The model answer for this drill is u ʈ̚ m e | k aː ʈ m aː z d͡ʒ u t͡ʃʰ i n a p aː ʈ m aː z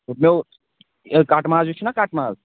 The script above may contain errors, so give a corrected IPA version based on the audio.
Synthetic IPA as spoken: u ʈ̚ m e | k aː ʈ m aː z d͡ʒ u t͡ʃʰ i n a k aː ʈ m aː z